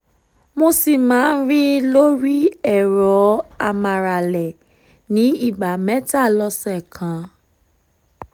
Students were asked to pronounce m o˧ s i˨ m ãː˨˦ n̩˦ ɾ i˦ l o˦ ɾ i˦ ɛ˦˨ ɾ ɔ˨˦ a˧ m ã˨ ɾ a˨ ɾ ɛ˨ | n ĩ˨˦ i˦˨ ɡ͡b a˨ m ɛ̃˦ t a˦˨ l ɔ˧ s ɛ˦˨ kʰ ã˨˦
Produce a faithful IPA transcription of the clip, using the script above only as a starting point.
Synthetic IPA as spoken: m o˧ s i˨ m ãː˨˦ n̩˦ ɾ i˦ l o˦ ɾ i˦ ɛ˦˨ ɾ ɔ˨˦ a˧ m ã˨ ɾ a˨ l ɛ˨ | n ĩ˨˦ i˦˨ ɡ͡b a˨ m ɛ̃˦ t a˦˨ l ɔ˧ s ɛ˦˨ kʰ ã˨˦

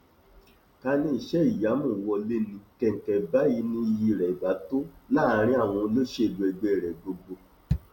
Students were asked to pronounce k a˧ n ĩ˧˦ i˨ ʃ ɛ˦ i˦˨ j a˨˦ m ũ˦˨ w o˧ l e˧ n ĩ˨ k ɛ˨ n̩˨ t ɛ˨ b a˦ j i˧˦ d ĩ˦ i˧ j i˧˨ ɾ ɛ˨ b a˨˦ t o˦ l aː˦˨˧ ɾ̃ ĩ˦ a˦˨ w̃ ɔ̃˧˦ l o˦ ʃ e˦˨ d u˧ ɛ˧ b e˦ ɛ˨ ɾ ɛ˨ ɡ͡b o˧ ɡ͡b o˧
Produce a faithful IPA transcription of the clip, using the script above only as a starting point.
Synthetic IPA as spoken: k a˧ n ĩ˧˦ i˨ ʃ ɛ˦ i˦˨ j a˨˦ m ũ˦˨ w ɔ˧ l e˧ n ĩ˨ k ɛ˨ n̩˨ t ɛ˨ b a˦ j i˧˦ n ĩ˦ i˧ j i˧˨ ɾ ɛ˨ b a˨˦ t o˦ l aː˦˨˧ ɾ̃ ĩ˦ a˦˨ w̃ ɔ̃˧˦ l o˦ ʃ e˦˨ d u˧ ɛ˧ ɡ͡b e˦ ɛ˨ ɾ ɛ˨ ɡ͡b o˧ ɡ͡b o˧

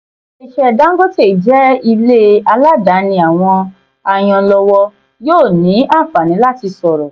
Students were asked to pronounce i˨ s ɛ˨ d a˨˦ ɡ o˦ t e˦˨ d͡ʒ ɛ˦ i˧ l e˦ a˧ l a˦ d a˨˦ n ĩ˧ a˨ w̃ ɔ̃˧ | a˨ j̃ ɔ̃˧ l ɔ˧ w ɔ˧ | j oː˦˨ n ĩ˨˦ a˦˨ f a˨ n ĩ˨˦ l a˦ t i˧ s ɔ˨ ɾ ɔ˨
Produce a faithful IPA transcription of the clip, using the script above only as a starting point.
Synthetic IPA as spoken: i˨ ʃ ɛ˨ d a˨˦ ɡ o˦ t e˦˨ d͡ʒ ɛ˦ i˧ l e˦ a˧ l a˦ d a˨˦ n ĩ˧ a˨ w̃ ɔ̃˧ | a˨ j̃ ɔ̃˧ l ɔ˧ w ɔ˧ | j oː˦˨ n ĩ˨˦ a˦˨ f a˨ n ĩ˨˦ l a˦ t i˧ s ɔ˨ ɾ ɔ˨

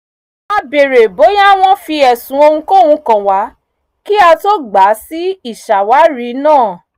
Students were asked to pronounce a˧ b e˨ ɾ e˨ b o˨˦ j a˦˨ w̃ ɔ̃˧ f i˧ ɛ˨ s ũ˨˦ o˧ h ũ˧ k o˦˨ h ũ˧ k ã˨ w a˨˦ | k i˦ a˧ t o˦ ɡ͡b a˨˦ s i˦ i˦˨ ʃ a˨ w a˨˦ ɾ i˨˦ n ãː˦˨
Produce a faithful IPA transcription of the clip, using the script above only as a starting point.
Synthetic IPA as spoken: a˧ b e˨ ɾ e˨ b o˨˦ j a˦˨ w̃ ɔ̃˧ f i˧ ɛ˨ s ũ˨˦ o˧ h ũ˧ k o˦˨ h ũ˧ k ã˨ w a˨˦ | k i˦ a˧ t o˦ ɡ͡b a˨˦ s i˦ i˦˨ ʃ a˨ w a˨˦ ɾ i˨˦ n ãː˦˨

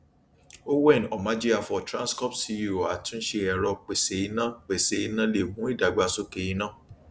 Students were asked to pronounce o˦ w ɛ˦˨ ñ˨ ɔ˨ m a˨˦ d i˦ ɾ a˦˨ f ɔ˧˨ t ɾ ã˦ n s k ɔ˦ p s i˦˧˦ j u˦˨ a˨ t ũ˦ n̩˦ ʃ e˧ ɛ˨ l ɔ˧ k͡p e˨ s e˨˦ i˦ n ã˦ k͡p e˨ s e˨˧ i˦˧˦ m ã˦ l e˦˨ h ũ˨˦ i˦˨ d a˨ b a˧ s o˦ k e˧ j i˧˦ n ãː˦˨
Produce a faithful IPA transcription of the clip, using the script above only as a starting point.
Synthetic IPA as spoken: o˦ w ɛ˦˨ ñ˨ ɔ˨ m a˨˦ d͡ʒ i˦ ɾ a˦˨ f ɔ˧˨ t ɾ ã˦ n s k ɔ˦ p s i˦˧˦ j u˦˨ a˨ t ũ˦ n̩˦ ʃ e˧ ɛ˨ ɾ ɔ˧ k͡p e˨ s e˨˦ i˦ n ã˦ k͡p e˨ s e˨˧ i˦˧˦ n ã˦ l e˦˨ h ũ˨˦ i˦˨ d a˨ ɡ͡b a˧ s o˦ k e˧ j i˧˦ n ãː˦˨

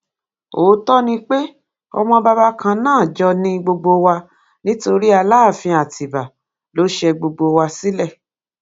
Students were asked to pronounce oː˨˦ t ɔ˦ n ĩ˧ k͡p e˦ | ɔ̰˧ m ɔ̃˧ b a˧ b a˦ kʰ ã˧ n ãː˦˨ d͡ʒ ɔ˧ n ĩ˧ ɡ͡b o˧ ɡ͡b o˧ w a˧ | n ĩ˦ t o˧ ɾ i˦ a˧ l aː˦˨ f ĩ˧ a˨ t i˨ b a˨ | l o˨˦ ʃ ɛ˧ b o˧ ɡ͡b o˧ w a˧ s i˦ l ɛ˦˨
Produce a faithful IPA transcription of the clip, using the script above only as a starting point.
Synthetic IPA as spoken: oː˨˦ t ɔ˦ n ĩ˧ k͡p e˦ | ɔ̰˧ m ɔ̃˧ b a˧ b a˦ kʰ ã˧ n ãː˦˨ d͡ʒ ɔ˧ n ĩ˧ ɡ͡b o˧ ɡ͡b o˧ w a˧ | n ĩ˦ t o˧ ɾ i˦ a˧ l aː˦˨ f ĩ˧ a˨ t i˨ b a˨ | l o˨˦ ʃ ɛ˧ ɡ͡b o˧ ɡ͡b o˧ w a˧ s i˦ l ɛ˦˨

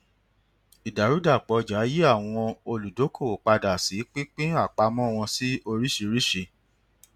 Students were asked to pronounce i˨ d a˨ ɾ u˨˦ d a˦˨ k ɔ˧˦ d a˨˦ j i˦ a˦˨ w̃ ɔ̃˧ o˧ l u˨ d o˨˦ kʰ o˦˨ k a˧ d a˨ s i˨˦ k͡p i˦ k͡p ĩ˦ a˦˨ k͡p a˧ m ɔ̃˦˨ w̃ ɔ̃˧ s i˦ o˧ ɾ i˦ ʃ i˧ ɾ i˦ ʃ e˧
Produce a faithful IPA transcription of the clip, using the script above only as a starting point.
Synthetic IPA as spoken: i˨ d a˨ ɾ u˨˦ d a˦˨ k͡p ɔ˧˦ d͡ʒ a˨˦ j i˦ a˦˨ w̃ ɔ̃˧ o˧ l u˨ d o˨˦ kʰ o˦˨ k͡p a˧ d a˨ s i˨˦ k͡p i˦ k͡p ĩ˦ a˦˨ k͡p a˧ m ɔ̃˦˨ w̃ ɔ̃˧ s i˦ o˧ ɾ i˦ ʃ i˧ ɾ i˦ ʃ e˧

